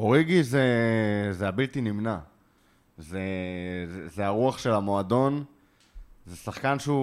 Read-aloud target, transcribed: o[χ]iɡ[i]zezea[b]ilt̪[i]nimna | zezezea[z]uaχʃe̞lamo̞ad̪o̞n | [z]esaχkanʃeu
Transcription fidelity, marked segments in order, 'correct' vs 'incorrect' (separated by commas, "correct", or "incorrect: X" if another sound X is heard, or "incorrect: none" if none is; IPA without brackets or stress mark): incorrect: ʁ, correct, correct, correct, incorrect: ʁ, correct